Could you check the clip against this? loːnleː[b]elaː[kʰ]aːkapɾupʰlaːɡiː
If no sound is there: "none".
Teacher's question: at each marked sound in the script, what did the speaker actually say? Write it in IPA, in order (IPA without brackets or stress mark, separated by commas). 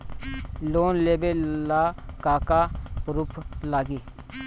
b, k